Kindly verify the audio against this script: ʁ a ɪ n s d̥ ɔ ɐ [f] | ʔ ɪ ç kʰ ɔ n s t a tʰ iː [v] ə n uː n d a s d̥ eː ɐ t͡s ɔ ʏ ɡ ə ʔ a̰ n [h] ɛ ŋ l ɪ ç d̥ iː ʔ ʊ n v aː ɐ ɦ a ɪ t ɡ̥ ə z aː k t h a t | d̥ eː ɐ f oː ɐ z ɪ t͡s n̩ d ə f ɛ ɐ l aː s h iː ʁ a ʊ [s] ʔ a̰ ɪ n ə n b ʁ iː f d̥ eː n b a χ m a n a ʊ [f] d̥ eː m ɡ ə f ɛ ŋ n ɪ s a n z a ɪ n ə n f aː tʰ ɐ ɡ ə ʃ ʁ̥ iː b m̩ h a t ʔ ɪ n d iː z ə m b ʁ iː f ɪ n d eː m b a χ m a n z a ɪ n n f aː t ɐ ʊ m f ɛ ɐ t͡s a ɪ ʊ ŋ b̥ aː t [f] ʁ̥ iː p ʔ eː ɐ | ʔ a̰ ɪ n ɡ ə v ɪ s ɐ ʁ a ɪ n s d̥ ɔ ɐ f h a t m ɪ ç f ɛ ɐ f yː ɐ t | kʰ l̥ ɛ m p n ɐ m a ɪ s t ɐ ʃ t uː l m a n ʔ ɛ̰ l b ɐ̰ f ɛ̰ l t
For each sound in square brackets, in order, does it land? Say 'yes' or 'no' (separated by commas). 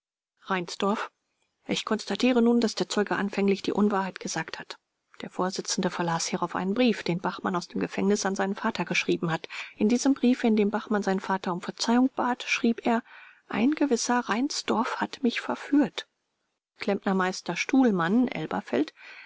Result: yes, no, no, no, no, no